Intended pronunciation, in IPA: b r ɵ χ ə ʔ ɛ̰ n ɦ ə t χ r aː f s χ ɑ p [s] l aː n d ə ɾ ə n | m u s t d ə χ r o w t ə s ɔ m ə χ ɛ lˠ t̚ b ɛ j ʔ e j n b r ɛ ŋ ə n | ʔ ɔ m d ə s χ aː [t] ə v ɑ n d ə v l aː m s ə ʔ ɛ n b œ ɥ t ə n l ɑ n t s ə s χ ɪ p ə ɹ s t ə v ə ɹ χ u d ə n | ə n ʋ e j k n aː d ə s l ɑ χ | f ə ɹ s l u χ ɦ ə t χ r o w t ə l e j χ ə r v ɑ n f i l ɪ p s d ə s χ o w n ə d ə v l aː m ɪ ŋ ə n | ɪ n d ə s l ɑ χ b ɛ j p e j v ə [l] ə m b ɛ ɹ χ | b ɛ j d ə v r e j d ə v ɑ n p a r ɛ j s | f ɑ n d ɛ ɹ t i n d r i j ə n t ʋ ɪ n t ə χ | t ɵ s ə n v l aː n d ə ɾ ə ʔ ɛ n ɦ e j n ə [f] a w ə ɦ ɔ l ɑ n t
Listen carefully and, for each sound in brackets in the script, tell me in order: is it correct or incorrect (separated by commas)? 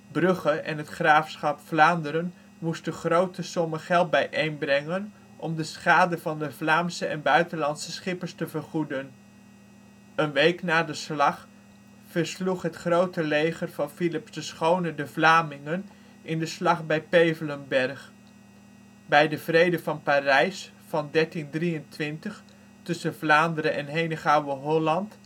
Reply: incorrect, incorrect, correct, incorrect